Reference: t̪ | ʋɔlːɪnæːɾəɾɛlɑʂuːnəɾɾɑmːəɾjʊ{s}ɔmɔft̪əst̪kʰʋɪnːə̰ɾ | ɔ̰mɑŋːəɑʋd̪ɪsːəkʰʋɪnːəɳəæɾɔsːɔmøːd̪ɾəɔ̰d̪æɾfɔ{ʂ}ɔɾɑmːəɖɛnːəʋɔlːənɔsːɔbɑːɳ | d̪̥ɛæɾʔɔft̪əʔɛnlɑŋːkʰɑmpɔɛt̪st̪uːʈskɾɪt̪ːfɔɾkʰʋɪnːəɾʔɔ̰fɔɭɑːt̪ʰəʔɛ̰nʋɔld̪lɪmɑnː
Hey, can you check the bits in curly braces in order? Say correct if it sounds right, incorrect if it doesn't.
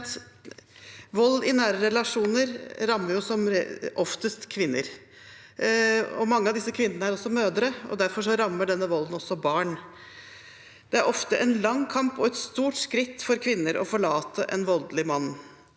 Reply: correct, correct

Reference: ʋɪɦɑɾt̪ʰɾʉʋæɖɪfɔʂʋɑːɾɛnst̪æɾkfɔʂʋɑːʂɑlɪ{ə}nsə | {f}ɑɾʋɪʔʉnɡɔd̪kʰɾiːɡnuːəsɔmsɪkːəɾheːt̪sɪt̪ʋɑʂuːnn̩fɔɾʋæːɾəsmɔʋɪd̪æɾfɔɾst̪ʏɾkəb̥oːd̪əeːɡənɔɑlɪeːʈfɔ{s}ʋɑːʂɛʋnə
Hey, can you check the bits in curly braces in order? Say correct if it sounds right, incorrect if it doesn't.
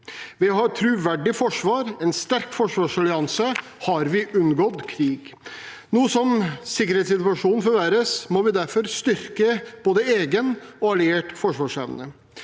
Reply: incorrect, incorrect, incorrect

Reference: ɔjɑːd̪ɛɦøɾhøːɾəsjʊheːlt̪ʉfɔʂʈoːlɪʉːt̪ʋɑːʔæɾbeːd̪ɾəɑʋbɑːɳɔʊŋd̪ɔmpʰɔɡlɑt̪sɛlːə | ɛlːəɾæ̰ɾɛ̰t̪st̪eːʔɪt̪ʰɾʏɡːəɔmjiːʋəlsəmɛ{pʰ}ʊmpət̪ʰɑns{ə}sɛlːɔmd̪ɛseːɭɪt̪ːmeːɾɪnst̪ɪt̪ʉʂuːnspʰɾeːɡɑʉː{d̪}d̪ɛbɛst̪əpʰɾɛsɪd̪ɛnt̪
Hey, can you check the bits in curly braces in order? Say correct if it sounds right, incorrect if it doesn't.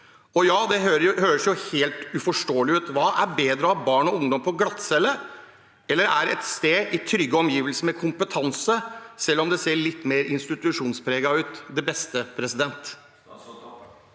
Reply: incorrect, correct, incorrect

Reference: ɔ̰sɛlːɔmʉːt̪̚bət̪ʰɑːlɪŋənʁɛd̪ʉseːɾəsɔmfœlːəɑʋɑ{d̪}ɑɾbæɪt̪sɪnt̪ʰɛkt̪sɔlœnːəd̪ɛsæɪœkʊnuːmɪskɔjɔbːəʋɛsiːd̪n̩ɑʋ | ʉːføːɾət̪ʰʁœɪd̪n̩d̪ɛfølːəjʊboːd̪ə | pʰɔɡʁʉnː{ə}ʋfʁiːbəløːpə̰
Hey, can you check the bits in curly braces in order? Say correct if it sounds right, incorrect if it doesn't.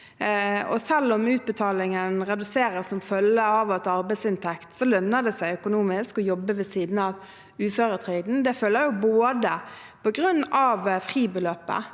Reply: incorrect, incorrect

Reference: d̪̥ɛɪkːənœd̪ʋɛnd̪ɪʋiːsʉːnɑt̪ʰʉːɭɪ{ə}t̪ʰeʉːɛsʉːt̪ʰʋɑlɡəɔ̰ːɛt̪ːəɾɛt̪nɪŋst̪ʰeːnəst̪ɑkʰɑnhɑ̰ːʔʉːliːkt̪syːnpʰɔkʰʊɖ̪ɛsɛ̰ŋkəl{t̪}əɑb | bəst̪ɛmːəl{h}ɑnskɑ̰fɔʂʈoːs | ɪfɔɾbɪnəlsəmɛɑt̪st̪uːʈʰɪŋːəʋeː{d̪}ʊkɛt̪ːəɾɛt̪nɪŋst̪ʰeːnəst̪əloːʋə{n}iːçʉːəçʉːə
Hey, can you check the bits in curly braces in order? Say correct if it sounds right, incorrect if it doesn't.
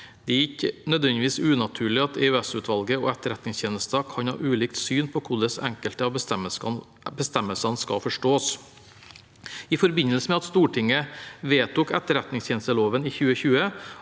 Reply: incorrect, correct, incorrect, incorrect, correct

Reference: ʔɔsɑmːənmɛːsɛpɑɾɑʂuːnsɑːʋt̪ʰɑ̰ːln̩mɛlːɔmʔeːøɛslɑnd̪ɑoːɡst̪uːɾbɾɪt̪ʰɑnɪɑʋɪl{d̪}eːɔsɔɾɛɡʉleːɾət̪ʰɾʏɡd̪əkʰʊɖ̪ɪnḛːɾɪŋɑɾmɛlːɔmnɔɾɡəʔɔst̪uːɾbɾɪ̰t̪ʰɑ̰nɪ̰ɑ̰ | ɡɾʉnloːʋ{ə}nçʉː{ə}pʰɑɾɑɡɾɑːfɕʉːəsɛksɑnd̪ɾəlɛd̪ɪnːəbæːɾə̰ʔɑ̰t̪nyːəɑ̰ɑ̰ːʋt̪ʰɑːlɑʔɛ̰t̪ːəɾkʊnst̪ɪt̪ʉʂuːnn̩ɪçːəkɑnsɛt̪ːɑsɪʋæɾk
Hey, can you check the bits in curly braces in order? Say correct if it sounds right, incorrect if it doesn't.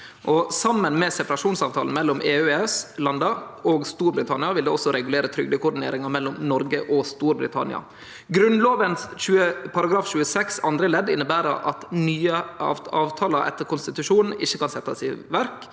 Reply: correct, correct, correct

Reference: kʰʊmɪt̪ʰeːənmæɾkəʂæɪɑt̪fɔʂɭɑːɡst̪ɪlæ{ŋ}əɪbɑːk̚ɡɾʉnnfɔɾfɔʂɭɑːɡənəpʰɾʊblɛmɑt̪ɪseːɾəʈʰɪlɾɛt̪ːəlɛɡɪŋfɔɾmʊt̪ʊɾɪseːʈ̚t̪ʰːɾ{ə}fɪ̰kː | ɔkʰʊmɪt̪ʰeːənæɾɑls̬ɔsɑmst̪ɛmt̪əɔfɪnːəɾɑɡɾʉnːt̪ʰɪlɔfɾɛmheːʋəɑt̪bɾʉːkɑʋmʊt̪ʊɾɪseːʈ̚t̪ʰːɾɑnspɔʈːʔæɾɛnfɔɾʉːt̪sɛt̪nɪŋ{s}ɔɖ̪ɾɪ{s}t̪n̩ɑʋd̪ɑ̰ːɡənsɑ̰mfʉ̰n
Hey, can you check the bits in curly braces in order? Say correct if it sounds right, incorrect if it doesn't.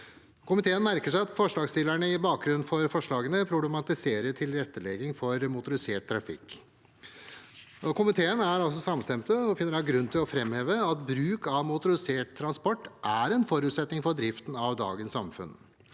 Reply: incorrect, incorrect, incorrect, incorrect

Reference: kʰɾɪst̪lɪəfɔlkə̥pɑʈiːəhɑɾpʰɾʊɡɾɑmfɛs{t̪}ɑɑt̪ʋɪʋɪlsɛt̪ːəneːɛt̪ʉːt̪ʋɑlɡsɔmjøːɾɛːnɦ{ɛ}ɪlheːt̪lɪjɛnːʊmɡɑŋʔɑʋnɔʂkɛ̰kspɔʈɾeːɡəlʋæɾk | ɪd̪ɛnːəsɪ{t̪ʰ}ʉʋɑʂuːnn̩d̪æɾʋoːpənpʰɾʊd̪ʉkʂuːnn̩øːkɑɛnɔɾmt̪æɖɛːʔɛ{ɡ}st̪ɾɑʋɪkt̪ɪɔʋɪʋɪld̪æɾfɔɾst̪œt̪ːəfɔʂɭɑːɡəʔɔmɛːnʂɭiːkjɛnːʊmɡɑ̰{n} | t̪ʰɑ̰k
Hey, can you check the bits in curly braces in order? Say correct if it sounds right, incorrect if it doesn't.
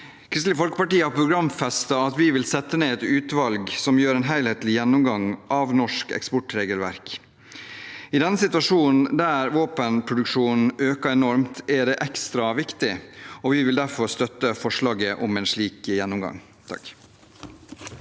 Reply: correct, incorrect, incorrect, incorrect, incorrect

